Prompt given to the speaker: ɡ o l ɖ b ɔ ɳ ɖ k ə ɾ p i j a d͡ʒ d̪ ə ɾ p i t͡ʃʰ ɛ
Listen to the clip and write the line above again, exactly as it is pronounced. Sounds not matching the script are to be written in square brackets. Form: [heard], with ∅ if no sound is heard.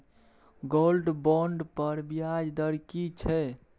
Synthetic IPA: ɡ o l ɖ b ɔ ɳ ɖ [p] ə ɾ [b] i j a d͡ʒ d̪ ə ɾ [k] i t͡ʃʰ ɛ